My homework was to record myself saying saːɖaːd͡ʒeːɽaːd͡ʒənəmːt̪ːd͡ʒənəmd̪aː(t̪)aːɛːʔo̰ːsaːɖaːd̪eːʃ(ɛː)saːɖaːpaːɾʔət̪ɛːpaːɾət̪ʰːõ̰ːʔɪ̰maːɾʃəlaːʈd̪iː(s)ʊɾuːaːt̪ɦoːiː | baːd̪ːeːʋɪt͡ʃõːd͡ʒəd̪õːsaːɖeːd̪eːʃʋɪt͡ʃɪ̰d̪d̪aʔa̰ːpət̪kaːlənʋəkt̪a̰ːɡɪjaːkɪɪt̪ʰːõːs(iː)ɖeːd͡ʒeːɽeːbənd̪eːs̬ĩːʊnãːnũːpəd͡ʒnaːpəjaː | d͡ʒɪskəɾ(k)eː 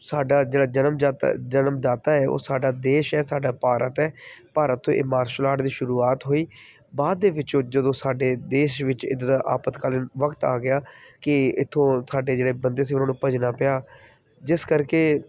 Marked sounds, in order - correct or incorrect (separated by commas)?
correct, correct, incorrect, incorrect, correct